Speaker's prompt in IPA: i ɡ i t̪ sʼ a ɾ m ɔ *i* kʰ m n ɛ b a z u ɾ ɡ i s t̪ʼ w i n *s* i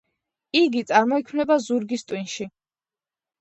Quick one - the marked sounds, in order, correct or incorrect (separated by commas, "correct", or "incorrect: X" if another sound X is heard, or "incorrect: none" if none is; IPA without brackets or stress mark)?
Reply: correct, incorrect: ʃ